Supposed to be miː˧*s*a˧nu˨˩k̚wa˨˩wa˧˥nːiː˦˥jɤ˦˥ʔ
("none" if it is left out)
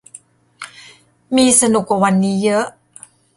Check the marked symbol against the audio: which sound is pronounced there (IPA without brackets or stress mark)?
s